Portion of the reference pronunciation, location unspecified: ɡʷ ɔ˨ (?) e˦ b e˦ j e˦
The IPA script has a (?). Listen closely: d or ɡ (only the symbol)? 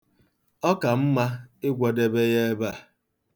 d